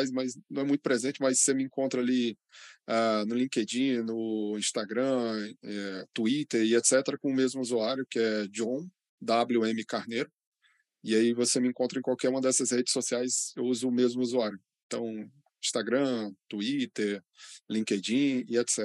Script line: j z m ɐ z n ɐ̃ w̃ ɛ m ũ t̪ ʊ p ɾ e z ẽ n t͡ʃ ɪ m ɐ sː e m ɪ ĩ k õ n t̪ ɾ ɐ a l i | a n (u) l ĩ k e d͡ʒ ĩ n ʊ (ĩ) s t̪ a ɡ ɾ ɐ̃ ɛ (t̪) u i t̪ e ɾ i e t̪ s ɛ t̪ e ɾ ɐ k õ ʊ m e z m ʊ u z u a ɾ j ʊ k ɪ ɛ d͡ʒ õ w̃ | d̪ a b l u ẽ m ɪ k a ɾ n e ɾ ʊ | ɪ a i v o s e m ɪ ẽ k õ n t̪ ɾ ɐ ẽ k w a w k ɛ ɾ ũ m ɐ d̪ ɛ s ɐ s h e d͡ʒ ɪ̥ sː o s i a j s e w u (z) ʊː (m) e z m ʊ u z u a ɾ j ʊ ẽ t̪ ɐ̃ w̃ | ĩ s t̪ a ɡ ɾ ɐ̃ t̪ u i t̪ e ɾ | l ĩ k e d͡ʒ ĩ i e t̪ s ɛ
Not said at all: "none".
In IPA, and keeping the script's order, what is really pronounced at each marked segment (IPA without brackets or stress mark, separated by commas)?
ʊ, ĩ, t̪, z, m